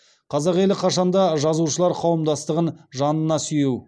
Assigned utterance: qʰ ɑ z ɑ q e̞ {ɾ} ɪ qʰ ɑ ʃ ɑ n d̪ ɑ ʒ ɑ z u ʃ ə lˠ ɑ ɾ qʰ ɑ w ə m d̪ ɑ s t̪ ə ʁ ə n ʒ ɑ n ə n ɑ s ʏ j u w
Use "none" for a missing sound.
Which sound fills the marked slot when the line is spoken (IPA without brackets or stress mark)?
l